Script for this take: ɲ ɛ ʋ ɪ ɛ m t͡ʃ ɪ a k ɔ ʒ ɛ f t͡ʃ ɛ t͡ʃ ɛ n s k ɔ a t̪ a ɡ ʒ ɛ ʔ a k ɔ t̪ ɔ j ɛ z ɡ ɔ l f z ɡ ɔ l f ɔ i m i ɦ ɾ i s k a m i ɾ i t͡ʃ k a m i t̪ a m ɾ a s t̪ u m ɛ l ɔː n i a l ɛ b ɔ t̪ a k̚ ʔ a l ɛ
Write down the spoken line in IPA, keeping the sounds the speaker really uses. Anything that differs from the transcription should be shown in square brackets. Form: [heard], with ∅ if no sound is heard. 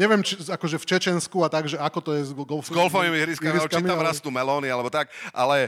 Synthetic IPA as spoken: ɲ ɛ ʋ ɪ ɛ m t͡ʃ [i] a k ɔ ʒ ɛ f t͡ʃ ɛ t͡ʃ ɛ n s k [u] a t̪ a ɡ ʒ ɛ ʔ a k ɔ t̪ ɔ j ɛ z ɡ ɔ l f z ɡ ɔ l f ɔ i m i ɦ ɾ i s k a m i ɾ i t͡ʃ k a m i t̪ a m ɾ a s t̪ u m ɛ l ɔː n i a l ɛ b ɔ t̪ a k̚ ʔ a l ɛ